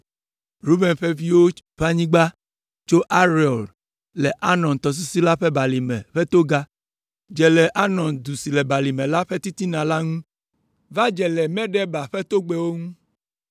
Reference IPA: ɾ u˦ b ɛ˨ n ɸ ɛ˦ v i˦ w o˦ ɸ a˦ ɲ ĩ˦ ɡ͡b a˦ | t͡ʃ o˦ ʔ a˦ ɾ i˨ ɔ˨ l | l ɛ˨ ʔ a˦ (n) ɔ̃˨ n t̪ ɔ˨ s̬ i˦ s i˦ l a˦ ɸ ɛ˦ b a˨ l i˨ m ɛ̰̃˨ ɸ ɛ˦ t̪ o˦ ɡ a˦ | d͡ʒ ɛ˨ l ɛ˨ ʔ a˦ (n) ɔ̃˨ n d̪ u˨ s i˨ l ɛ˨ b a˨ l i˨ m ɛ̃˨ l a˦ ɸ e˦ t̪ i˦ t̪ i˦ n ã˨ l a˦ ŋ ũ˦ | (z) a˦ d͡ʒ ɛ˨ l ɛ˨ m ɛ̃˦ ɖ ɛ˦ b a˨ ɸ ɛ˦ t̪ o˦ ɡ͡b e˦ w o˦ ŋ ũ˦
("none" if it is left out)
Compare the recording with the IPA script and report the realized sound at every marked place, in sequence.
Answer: n, n, v

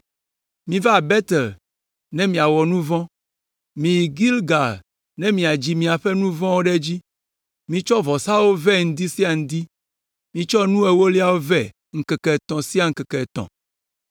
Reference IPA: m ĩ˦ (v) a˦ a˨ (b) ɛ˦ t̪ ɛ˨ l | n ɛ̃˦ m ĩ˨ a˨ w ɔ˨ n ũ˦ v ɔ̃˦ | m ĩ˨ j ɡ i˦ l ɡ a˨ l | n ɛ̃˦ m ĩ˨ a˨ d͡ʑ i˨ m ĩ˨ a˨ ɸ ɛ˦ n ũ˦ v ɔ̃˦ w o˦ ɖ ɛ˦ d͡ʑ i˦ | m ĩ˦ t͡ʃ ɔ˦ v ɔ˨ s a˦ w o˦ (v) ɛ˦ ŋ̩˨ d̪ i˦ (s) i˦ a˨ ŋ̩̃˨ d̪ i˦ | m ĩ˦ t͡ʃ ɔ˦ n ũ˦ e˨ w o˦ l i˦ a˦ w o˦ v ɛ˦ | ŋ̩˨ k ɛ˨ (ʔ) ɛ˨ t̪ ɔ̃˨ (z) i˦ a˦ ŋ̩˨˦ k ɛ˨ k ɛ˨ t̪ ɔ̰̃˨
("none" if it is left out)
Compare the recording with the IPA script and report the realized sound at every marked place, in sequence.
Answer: v, b, v, s, k, s

